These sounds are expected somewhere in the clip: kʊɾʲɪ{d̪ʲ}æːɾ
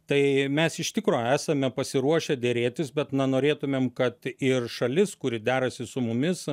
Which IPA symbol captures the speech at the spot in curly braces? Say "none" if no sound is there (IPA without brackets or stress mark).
d̪ʲ